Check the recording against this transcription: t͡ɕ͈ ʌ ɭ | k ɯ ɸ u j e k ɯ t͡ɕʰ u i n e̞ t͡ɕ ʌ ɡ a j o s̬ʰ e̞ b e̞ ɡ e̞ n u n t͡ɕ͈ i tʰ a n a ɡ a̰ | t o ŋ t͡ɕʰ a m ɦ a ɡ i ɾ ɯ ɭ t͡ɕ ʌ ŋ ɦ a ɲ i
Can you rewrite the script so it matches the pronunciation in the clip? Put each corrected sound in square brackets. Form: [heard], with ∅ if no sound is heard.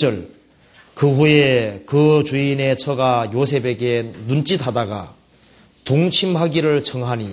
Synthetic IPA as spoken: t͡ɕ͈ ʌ ɭ | k ɯ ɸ u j e k ɯ [t͡ɕ] u i n e̞ [t͡ɕʰ] ʌ ɡ a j o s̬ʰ e̞ b e̞ ɡ e̞ n u n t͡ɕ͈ i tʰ a [d] a ɡ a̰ | t o ŋ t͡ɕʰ [i] m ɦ a ɡ i ɾ ɯ ɭ [t͡ɕʰ] ʌ ŋ ɦ a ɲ i